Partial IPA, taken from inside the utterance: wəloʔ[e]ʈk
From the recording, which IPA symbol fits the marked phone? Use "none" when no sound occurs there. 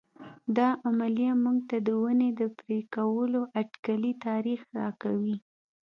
a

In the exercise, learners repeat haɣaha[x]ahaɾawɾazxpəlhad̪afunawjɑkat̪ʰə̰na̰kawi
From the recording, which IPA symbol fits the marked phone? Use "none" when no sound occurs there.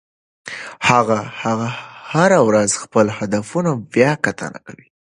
ɣ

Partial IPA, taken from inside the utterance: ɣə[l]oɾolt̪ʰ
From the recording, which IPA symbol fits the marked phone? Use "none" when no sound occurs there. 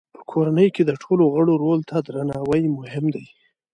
ɽ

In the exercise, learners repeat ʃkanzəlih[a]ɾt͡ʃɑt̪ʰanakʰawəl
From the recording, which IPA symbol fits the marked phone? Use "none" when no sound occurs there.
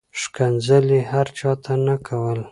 a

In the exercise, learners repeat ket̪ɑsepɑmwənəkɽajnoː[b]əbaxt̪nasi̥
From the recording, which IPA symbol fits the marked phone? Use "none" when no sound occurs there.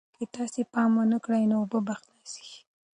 b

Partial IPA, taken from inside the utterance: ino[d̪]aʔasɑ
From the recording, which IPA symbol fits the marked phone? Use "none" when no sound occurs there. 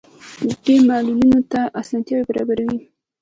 t̪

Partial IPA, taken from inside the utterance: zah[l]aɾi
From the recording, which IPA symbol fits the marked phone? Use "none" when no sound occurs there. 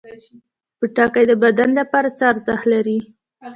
l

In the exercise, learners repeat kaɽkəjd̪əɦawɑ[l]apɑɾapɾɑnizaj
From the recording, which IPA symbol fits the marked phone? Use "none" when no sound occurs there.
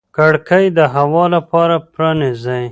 l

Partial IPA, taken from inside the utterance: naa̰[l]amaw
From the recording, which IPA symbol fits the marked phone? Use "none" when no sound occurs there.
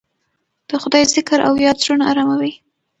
ɾ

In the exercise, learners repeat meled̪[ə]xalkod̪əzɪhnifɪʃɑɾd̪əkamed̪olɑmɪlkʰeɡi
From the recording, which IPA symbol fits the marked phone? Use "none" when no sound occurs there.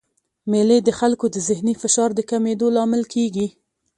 ə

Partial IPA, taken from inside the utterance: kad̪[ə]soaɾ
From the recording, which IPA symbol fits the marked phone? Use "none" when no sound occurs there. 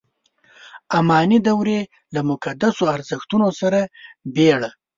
a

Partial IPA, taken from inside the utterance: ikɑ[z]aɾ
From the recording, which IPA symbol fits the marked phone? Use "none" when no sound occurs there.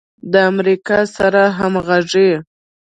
s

